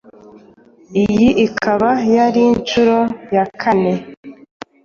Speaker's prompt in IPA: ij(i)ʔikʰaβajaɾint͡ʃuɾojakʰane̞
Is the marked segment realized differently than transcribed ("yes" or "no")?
no